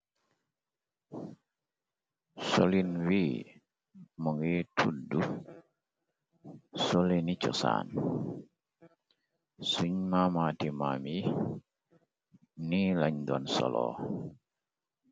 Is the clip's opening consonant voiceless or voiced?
voiceless